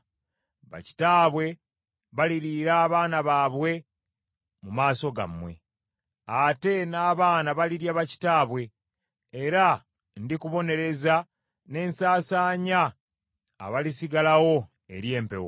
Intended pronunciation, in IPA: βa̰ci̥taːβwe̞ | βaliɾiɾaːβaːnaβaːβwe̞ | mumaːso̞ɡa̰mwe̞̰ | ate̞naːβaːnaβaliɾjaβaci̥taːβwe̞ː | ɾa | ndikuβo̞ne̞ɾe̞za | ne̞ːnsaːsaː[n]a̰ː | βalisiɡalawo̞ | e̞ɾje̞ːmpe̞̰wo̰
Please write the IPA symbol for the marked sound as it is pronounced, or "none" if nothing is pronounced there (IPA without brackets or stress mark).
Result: ɲ